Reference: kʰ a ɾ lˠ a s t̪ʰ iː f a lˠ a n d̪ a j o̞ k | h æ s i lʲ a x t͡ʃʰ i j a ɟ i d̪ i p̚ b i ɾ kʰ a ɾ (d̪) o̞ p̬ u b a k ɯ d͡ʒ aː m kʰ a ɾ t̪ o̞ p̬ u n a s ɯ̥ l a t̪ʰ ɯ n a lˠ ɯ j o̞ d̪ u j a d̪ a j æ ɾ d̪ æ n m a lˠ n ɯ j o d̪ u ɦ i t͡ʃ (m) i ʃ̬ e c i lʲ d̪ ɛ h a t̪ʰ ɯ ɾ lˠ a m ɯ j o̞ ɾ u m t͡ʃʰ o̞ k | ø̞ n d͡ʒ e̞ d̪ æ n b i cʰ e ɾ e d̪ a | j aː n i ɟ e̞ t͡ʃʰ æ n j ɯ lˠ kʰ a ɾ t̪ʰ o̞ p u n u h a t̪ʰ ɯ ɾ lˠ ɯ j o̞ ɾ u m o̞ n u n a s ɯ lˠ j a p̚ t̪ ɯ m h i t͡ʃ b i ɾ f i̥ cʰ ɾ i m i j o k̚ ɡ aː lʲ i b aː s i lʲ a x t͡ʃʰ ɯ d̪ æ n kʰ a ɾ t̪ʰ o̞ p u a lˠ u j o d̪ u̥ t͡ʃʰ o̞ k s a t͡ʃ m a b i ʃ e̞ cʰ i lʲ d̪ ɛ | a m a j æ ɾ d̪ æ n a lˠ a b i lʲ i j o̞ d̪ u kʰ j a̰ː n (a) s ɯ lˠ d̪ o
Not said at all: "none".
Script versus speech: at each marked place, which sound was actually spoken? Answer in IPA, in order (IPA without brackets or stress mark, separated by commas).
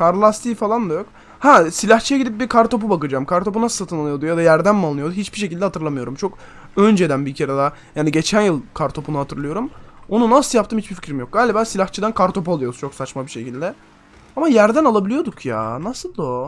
t̪, b, a